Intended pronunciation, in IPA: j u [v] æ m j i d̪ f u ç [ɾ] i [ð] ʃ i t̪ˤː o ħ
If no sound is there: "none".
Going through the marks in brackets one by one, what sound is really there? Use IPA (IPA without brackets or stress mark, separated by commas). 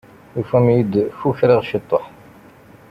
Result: f, ɾ, ʁ